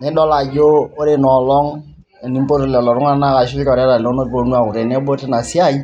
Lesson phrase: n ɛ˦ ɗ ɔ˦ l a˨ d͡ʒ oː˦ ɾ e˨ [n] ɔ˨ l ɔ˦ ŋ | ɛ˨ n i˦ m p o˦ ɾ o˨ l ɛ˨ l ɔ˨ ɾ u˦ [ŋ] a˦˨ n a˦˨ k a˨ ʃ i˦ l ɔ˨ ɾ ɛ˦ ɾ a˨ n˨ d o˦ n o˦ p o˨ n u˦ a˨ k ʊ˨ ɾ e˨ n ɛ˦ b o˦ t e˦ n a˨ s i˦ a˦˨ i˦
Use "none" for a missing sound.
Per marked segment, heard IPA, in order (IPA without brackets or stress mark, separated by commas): n, ŋ